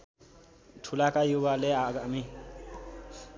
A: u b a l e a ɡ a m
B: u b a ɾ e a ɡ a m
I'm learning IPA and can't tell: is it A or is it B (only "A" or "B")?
A